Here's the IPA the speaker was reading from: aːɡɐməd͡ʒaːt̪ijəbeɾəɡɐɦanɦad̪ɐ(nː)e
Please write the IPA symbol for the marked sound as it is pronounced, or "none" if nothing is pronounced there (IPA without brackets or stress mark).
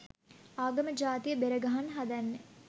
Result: nː